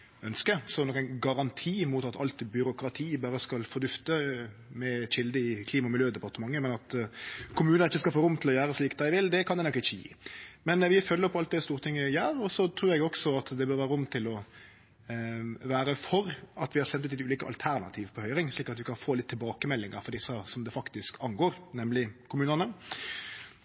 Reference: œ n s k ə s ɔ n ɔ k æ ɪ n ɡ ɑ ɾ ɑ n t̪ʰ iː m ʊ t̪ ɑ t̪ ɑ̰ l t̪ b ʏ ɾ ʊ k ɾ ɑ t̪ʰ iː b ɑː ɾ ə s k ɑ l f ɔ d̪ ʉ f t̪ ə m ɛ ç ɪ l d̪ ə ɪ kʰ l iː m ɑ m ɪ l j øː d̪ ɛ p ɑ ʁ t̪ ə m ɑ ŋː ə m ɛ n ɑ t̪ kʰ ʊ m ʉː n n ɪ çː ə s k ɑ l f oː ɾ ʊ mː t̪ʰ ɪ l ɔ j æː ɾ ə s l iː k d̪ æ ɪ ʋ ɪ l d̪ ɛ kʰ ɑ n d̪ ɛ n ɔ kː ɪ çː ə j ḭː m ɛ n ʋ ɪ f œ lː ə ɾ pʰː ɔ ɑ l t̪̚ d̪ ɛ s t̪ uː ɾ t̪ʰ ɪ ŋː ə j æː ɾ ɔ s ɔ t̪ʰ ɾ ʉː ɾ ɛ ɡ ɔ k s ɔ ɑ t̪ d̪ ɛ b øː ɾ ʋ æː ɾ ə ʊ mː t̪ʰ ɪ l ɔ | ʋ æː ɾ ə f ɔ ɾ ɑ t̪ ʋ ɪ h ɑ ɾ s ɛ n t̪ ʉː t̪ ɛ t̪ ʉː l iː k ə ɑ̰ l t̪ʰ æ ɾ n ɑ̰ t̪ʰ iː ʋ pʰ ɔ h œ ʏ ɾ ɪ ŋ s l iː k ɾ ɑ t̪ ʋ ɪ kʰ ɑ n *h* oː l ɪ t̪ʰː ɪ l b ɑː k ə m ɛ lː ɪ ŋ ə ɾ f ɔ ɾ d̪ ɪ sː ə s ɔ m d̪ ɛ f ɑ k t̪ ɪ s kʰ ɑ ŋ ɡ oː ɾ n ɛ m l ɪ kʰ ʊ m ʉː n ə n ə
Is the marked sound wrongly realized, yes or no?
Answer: yes